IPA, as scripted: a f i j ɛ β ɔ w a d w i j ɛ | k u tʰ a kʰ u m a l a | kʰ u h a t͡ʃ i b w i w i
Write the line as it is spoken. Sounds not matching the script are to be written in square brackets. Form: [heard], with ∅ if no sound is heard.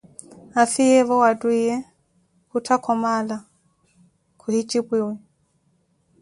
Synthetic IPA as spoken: a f i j ɛ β ɔ w a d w i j ɛ | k u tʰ a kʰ [ɔ] m a l a | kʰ u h [i] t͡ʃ i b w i w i